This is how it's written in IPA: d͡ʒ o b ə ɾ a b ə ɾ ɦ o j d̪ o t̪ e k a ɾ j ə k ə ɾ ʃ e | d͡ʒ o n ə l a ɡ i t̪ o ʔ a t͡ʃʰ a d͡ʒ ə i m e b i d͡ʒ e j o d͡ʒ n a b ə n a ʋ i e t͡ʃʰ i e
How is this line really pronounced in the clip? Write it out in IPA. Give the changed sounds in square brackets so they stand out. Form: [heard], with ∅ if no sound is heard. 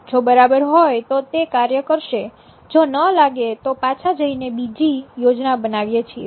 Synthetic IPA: d͡ʒ o b ə ɾ a b ə ɾ ɦ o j [t̪] o t̪ e k a ɾ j ə k ə ɾ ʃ e | d͡ʒ o n ə l a ɡ [e] t̪ o [p] a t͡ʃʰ a d͡ʒ ə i [n] e b i d͡ʒ [i] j o d͡ʒ n a b ə n a ʋ [j] e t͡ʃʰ i e